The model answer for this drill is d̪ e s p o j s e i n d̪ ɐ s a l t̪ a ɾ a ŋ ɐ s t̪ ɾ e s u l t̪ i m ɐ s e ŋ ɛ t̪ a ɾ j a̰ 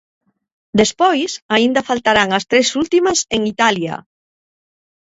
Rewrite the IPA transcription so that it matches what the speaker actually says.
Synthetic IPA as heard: d̪ e s p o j s a i n d̪ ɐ f a l t̪ a ɾ a ŋ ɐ s t̪ ɾ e s u l t̪ i m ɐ s e ŋ i t̪ a l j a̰